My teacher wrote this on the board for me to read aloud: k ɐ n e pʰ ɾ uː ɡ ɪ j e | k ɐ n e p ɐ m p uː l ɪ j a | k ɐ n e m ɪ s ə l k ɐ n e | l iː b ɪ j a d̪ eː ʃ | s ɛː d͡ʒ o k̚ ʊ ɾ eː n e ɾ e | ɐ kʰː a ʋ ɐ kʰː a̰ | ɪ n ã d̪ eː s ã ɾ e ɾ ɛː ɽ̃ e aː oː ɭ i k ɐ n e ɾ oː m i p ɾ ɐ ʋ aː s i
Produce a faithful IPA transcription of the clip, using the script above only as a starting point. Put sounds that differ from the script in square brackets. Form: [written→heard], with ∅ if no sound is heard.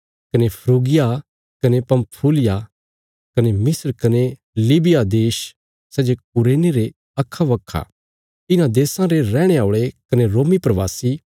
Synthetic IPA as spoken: k ɐ n e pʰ ɾ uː ɡ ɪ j [e→a] | k ɐ n e p ɐ m [p→pʰ] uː l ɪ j a | k ɐ n e m ɪ s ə [l→ɾ] k ɐ n e | l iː b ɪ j a d̪ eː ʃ | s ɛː d͡ʒ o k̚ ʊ ɾ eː n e ɾ e | ɐ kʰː a ʋ ɐ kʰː a̰ | ɪ n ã d̪ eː s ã ɾ e ɾ ɛː ɽ̃ e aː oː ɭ [i→e] k ɐ n e ɾ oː m i p ɾ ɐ ʋ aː s i